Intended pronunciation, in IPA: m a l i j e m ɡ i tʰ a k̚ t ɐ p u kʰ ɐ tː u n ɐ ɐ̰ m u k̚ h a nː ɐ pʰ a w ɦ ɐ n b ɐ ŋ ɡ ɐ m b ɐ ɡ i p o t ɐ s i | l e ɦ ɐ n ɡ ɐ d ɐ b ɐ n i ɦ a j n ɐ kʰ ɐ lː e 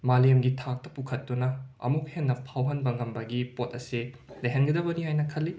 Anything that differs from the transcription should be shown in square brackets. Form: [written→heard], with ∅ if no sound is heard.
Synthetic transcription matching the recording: m a l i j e m ɡ i tʰ a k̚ t ɐ p u kʰ ɐ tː u n ɐ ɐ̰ m u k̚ h [a→e] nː ɐ pʰ a w ɦ ɐ n b ɐ ŋ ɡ ɐ m b ɐ ɡ i p o t ɐ s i | l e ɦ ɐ n ɡ ɐ d ɐ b ɐ n i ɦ a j n ɐ kʰ ɐ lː [e→i]